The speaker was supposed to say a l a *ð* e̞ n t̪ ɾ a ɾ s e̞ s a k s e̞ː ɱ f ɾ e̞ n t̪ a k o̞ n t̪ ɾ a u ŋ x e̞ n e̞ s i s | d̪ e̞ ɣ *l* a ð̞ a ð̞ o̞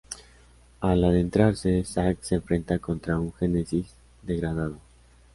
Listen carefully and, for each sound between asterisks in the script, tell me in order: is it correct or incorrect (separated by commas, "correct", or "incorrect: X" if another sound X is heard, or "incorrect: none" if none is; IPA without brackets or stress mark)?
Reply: correct, incorrect: ɾ